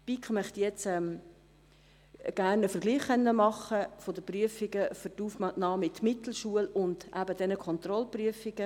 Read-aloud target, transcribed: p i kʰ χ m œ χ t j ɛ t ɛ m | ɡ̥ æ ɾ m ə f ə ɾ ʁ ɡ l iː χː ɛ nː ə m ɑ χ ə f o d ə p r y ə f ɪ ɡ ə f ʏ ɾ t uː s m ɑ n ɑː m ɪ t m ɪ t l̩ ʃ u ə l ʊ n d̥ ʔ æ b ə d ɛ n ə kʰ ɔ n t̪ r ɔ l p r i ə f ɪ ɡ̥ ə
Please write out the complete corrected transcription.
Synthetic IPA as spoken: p i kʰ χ m œ χ t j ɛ t͡s ɛ m | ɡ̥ æ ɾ n ə f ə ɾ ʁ ɡ l iː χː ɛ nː ə m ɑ χ ə f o d ə p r y ə f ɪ ɡ ə f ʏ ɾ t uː f m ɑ n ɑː m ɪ t m ɪ t l̩ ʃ u ə l ʊ n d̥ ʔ æ b ə d ɛ n ə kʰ ɔ n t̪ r ɔ l p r y ə f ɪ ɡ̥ ə